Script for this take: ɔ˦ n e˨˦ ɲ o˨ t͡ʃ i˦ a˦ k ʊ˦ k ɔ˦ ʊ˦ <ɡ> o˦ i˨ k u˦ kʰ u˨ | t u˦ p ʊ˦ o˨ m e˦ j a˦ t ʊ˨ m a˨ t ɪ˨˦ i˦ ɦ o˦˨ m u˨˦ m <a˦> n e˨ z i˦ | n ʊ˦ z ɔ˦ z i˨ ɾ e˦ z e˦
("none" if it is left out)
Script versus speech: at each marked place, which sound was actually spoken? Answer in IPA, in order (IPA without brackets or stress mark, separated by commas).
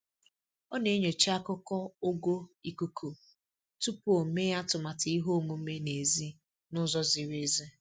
ɡ, e˦